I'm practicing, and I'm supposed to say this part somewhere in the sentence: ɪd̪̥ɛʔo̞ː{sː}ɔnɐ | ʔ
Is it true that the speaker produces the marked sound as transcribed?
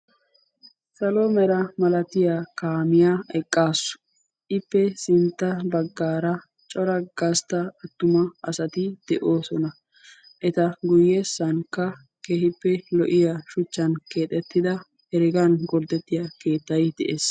no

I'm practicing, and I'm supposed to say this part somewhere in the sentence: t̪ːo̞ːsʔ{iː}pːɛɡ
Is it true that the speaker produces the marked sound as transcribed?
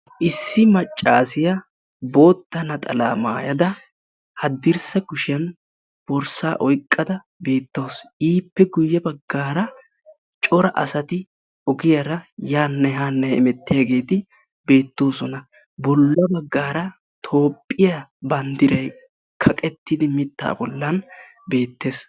yes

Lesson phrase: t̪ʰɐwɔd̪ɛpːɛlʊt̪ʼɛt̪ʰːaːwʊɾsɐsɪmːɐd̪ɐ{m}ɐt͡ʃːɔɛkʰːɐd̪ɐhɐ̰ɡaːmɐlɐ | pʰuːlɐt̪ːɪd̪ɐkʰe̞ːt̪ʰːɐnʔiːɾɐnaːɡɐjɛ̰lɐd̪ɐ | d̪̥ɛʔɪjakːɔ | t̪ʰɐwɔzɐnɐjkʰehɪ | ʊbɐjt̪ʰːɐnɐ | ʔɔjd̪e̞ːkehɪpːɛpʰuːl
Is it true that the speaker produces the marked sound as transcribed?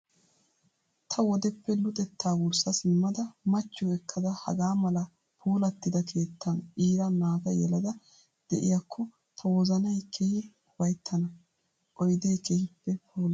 yes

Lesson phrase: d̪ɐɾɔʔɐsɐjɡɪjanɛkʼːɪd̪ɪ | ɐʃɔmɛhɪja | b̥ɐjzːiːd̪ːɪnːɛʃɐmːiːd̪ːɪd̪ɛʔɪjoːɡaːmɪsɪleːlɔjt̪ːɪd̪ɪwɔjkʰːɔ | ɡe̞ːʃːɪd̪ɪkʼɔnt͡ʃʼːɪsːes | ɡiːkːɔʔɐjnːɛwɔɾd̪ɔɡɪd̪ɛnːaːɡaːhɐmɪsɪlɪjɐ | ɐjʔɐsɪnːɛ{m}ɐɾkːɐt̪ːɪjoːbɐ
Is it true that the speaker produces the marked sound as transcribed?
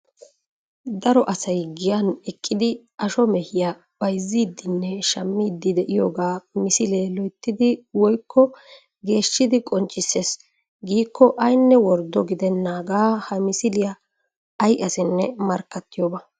yes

